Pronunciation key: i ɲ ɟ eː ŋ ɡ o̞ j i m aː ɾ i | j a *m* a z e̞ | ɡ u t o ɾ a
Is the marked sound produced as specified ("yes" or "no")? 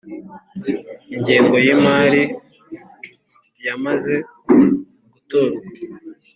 yes